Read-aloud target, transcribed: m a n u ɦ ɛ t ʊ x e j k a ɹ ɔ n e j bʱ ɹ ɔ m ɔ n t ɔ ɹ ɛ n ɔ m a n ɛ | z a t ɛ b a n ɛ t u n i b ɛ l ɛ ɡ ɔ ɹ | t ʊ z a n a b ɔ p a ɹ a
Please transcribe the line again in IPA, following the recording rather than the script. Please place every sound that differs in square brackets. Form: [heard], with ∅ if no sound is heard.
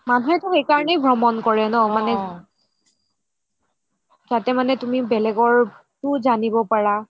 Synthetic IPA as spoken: m a n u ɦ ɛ t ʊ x e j k a ɹ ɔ n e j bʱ ɹ ɔ m ɔ n [k] ɔ ɹ ɛ n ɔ m a n ɛ | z a t ɛ [m] a n ɛ t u [m] i b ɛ l ɛ ɡ ɔ ɹ | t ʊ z a n [i] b ɔ p a ɹ a